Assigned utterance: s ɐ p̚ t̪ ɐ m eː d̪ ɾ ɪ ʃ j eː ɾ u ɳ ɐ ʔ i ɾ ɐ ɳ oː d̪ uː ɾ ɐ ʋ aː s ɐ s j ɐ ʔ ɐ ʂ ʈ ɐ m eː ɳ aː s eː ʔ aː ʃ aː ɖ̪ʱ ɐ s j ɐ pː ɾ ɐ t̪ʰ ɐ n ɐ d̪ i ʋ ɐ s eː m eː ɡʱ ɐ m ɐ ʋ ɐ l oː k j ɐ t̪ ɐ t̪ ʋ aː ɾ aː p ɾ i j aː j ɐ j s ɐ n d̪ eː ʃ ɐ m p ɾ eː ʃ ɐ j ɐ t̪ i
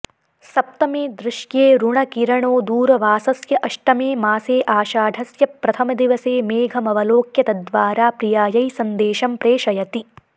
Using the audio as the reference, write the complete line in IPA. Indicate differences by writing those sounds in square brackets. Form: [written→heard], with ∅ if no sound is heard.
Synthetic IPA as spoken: s ɐ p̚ t̪ ɐ m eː d̪ ɾ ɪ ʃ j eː ɾ u ɳ ɐ [ʔ→k] i ɾ ɐ ɳ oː d̪ uː ɾ ɐ ʋ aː s ɐ s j ɐ ʔ ɐ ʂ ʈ ɐ m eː [ɳ→m] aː s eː ʔ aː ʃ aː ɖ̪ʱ ɐ s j ɐ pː ɾ ɐ t̪ʰ ɐ [n→m] ɐ d̪ i ʋ ɐ s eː m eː ɡʱ ɐ m ɐ ʋ ɐ l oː k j ɐ t̪ ɐ [t̪→d̪] ʋ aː ɾ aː p ɾ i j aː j ɐ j s ɐ n d̪ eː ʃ ɐ m p ɾ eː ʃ ɐ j ɐ t̪ i